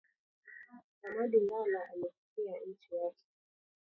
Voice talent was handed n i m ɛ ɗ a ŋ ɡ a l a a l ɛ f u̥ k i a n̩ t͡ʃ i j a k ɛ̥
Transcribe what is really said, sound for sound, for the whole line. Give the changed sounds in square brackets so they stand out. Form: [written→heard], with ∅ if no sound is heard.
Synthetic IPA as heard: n [i→a] m [ɛ→a] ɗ [a→i] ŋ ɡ a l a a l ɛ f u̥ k i a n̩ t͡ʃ i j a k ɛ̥